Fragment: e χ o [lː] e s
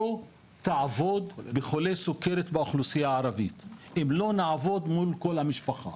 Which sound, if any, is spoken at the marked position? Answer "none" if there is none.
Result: l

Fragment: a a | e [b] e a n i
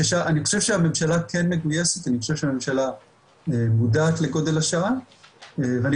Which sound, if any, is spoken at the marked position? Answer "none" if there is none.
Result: v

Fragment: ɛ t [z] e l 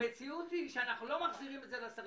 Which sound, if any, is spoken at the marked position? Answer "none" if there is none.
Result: z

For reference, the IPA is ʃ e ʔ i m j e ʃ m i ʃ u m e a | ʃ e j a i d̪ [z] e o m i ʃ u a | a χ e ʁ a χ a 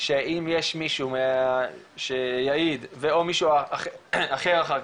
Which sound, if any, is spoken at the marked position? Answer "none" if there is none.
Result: v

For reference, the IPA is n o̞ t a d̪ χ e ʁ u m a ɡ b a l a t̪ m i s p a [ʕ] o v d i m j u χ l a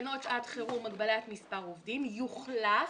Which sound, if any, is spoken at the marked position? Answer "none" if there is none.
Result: ʁ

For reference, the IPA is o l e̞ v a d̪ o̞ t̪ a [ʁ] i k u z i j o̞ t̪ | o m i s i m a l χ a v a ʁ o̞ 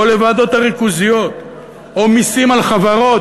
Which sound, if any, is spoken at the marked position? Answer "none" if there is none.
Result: ʁ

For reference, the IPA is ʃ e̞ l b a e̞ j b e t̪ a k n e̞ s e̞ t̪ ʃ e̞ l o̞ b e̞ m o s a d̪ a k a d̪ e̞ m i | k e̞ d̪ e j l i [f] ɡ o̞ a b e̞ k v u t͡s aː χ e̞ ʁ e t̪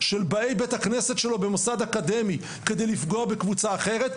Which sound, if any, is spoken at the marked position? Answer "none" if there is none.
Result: f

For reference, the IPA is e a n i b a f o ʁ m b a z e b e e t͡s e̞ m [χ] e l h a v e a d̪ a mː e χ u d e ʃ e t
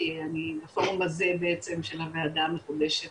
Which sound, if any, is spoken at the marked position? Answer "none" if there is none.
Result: ʃ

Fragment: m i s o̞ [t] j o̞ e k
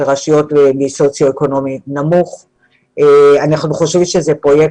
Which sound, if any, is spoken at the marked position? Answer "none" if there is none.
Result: t͡s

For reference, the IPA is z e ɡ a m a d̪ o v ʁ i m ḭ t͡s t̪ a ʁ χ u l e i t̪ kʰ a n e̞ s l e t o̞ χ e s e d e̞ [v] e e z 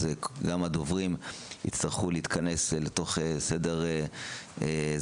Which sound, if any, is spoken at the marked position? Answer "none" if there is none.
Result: ʁ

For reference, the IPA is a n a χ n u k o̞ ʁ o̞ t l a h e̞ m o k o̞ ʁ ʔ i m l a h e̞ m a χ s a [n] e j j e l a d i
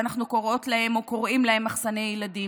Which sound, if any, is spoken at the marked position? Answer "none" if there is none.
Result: n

